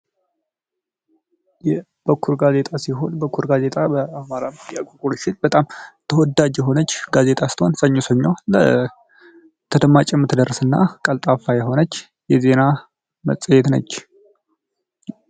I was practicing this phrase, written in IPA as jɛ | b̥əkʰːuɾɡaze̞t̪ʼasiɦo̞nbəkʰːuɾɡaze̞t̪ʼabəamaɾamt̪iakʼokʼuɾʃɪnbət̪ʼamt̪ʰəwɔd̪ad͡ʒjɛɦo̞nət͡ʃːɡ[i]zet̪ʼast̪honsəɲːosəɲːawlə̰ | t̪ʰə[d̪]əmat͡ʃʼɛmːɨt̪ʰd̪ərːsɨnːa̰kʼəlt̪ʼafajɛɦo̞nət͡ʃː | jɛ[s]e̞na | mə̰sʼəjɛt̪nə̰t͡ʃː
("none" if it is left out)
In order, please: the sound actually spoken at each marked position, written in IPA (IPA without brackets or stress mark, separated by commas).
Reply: a, d̪, z